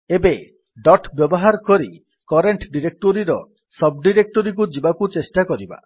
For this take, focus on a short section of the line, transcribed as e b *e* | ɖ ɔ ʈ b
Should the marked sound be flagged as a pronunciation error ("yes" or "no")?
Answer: no